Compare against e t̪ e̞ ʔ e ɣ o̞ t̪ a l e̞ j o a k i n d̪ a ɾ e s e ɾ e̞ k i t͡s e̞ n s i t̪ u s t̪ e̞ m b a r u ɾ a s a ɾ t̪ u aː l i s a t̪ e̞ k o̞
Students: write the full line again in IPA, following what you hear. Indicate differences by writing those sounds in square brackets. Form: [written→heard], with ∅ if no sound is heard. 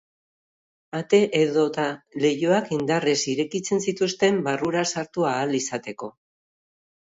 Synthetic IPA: [e→a] t̪ e̞ ʔ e [ɣ→ð] o̞ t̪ a l e̞ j o a k i n d̪ a [ɾ→r] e s [e→i] ɾ e̞ k i t͡s e̞ n s i t̪ u s t̪ e̞ m b a r u ɾ a s a ɾ t̪ u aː l i s a t̪ e̞ k o̞